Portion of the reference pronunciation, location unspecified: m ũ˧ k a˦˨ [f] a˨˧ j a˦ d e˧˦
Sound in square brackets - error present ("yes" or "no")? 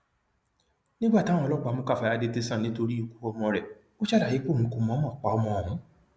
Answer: no